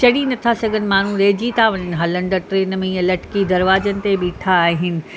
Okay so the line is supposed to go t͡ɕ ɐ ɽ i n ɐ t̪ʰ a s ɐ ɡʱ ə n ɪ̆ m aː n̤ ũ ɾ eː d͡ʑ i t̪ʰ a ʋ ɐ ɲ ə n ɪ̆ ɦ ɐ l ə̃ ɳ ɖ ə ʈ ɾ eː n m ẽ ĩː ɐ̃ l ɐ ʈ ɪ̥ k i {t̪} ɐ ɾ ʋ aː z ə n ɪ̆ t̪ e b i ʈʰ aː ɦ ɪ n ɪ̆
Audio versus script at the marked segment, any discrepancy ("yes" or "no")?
yes